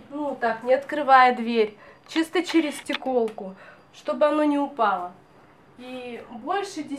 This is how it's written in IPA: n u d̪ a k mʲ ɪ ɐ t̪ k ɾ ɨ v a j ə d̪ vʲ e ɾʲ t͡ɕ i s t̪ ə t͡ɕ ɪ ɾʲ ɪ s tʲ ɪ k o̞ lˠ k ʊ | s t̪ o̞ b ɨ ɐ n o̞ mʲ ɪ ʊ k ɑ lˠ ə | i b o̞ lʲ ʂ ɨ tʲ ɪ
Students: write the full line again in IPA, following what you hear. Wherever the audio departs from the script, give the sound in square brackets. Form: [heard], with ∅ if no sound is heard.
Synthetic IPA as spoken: n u [t̪] a k [nʲ] ɪ ɐ t̪ k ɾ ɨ v a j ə d̪ vʲ e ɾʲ t͡ɕ i s t̪ ə t͡ɕ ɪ ɾʲ ɪ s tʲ ɪ k o̞ lˠ k ʊ | [ʂ] t̪ o̞ b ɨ ɐ n o̞ [nʲ] ɪ ʊ [p] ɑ lˠ ə | i b o̞ lʲ ʂ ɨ [dʲ] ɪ